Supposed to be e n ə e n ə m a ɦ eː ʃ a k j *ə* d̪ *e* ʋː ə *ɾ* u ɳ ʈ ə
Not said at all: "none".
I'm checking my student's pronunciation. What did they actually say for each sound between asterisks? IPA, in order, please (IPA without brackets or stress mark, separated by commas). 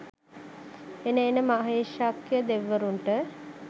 ə, e, ɾ